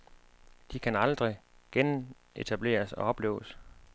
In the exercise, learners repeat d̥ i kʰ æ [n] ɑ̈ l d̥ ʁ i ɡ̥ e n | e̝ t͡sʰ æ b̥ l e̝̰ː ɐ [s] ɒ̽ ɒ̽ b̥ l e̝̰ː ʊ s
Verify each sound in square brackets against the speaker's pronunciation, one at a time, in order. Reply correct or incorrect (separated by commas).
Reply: correct, correct